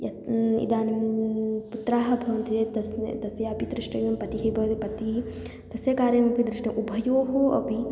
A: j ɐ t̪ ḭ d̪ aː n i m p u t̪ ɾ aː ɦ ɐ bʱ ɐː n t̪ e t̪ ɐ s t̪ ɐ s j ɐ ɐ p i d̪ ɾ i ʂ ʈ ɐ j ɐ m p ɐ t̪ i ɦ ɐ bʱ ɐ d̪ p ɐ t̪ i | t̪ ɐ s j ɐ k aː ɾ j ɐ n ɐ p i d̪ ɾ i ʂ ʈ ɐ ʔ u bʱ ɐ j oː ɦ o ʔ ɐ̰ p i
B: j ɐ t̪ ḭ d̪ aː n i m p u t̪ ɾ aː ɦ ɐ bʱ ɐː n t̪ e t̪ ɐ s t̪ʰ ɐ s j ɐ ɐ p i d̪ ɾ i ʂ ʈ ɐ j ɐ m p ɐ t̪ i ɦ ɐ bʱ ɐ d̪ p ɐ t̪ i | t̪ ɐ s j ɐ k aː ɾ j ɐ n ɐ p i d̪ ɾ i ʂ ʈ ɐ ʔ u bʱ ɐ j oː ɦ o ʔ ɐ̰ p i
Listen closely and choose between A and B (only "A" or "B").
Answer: A